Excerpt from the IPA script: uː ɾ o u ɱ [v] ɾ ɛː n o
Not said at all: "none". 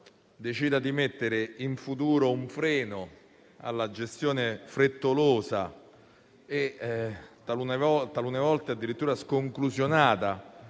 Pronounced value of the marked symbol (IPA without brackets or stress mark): f